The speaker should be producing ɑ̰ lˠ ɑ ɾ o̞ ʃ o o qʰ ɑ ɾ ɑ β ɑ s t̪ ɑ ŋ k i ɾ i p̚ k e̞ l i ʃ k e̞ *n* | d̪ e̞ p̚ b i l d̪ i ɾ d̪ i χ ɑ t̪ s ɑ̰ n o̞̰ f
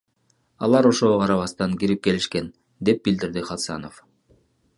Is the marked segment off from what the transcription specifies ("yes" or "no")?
no